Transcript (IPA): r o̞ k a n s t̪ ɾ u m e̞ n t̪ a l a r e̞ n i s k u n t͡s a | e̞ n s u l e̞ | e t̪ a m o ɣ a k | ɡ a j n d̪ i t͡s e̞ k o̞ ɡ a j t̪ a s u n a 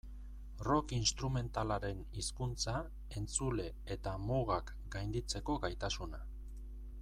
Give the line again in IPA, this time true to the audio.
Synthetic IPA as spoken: r o̞ k i n s t̪ ɾ u m e̞ n t̪ a l a ɾ e̞ n i s k u n t͡s a | e̞ n t͡s u l e̞ | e t̪ a m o ɣ a k | ɡ a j n d̪ i t͡s e̞ k o̞ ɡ a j t̪ a s u n a